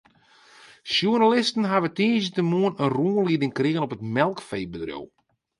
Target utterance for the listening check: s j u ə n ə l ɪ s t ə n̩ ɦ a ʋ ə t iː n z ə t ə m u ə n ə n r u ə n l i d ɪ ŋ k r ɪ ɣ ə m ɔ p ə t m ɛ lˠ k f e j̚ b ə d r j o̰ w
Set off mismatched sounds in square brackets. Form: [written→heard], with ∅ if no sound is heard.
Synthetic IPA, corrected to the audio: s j u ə n [ə→a] l ɪ s t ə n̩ ɦ a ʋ ə t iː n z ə t ə m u ə n ə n r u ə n l i d ɪ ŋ k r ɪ ɣ ə [m→n] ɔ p ə t m ɛ lˠ k f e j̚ b ə d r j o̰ w

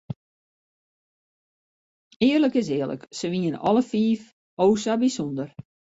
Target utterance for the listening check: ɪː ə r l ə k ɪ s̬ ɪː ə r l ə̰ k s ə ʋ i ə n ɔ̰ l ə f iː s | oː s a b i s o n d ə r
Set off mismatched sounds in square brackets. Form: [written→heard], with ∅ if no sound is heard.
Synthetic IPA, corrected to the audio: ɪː ə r l ə k ɪ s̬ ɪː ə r l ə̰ k s ə ʋ i ə n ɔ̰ l ə f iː [s→f] | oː s a b i s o n d ə r

